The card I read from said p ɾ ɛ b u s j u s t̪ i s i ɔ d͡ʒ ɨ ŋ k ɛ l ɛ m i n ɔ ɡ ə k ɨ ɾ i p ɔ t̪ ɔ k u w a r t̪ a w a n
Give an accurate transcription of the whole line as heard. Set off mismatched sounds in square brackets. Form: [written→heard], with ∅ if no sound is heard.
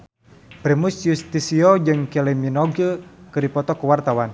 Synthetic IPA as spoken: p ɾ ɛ [b→m] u s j u s t̪ i s i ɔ d͡ʒ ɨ ŋ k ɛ l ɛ m i n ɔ ɡ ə k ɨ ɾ i p ɔ t̪ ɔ k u w a r t̪ a w a n

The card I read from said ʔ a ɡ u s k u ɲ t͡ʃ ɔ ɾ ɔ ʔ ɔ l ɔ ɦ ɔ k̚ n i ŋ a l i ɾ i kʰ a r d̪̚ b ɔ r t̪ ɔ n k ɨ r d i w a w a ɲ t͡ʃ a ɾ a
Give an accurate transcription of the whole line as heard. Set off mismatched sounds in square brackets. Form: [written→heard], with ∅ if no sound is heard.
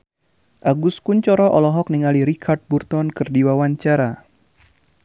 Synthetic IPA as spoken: ʔ a ɡ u s k u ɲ t͡ʃ ɔ ɾ ɔ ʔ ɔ l ɔ ɦ ɔ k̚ n i ŋ a l i ɾ i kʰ a r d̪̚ b [ɔ→u] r t̪ ɔ n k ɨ r d i w a w a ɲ t͡ʃ a ɾ a

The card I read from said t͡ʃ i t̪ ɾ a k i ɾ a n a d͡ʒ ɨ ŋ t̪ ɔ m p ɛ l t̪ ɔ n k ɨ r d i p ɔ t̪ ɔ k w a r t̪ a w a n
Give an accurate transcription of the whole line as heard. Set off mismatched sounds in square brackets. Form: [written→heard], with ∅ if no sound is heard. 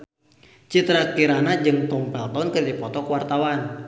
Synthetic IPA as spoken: t͡ʃ i t̪ ɾ a k i ɾ a n a d͡ʒ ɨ ŋ t̪ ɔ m p ɛ l t̪ ɔ n k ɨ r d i p ɔ t̪ ɔ k w a r t̪ a w a n

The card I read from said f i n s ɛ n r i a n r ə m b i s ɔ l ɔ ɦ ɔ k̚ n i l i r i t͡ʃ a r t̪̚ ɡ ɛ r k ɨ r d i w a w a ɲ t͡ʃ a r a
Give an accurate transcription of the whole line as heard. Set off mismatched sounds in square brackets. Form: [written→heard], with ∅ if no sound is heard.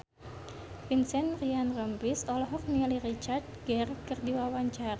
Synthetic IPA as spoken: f i n s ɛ n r i a n r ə m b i s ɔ l ɔ ɦ ɔ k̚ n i l i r i t͡ʃ a r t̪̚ ɡ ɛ r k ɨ r d i w a w a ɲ t͡ʃ a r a

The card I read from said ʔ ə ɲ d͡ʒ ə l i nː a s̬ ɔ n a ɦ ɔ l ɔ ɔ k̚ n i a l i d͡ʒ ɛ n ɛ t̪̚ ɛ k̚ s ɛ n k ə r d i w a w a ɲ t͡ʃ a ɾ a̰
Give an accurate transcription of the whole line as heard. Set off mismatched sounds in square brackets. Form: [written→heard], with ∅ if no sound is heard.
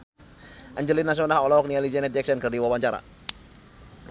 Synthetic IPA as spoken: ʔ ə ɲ d͡ʒ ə l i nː a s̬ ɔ n a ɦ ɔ l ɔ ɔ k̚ n i a l i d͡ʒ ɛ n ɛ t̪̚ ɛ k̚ s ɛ n k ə r d i w a w a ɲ t͡ʃ a ɾ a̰

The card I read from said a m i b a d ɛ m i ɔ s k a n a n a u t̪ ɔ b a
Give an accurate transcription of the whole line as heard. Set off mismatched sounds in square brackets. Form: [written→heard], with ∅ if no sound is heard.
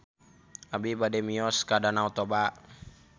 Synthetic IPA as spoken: a [m→b] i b a d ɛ m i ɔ s k a [n→d] a n a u t̪ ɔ b a

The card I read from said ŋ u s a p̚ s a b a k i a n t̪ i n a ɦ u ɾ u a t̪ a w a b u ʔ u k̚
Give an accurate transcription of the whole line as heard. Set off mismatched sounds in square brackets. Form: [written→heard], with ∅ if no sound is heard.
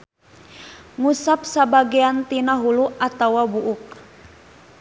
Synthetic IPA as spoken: ŋ u s a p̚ s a b a [k→ɡ] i a n t̪ i n a ɦ u [ɾ→l] u a t̪ a w a b u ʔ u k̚

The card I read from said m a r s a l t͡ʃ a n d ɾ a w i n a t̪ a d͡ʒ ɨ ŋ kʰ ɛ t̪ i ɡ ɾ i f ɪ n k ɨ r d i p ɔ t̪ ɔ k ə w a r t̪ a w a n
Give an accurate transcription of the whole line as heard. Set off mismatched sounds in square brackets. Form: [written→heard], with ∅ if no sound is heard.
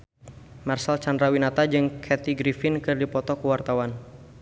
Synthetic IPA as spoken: m a r s a l t͡ʃ a n d ɾ a w i n a t̪ a d͡ʒ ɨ ŋ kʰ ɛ t̪ i ɡ ɾ i f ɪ n k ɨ r d i p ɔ t̪ ɔ k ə w a r t̪ a w a n

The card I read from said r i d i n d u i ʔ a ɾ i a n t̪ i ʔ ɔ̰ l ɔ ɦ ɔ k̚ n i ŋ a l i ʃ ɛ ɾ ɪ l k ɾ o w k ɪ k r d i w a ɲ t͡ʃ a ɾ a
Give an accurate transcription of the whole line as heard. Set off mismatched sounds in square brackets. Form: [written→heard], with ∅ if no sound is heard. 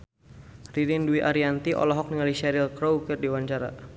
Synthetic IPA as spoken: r i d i n d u i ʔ a ɾ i a n t̪ i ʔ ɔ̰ l ɔ ɦ ɔ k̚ n i ŋ a l i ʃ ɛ ɾ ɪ l k ɾ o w k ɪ [k→∅] r d i w a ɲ t͡ʃ a ɾ a

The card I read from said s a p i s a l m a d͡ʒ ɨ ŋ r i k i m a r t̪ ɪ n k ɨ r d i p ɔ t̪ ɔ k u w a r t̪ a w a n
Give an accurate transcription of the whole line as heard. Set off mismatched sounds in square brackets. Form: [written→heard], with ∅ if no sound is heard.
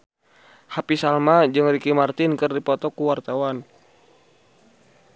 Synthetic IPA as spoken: [s→h] a p i s a l m a d͡ʒ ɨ ŋ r i k i m a r t̪ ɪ n k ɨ r d i p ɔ t̪ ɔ k u w a r t̪ a w a n

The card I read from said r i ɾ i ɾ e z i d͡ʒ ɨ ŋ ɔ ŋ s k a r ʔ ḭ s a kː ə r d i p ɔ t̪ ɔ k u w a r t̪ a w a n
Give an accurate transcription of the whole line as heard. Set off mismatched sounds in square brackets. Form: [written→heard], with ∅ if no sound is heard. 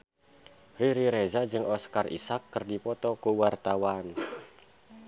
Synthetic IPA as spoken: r i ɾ i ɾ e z [i→a] d͡ʒ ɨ ŋ ɔ [ŋ→∅] s k a r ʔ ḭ s a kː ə r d i p ɔ t̪ ɔ k u w a r t̪ a w a n

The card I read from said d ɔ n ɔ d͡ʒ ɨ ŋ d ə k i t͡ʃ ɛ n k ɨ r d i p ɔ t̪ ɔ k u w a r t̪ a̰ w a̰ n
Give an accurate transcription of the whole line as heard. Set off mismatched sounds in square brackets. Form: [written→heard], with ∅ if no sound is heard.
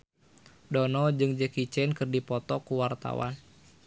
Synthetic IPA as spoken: d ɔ n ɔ d͡ʒ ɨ ŋ [d→d͡ʒ] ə k i t͡ʃ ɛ n k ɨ r d i p ɔ t̪ ɔ k u w a r t̪ a̰ w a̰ n

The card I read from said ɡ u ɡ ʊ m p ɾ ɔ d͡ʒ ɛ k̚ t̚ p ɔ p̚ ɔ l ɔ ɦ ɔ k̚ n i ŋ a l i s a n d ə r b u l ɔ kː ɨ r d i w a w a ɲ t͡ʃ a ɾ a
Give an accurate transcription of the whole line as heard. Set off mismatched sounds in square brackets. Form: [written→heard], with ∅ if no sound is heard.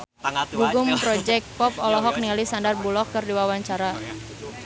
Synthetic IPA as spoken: ɡ u ɡ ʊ m p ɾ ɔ d͡ʒ ɛ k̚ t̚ p ɔ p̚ ɔ l ɔ ɦ ɔ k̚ n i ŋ a l i s a n d [ə→a] r b u l ɔ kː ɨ r d i w a w a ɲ t͡ʃ a ɾ a

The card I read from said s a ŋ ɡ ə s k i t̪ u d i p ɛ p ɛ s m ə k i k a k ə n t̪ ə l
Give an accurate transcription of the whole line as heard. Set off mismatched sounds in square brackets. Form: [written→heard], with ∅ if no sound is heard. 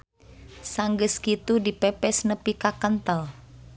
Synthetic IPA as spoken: s a ŋ ɡ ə s k i t̪ u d i p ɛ p ɛ s [m→n] ə [k→p] i k a k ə n t̪ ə l

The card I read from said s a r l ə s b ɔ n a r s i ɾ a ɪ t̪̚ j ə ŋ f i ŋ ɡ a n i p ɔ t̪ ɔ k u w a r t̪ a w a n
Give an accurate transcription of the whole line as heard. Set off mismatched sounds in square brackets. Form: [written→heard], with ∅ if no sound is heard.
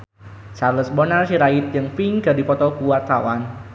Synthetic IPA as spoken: s a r l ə s b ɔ n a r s i ɾ a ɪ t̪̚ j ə ŋ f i ŋ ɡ a [n→d] i p ɔ t̪ ɔ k u w a r t̪ a w a n

